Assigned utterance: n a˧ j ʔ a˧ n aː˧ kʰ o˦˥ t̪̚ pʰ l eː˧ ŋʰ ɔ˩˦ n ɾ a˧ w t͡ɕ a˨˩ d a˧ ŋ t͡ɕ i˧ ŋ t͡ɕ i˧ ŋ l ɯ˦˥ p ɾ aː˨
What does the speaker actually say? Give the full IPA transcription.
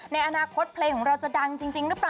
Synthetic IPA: n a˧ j ʔ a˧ n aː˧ kʰ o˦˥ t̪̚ pʰ l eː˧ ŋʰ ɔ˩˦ ŋ ɾ a˧ w t͡ɕ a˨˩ d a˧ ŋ t͡ɕ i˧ ŋ t͡ɕ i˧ ŋ ɾ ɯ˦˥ p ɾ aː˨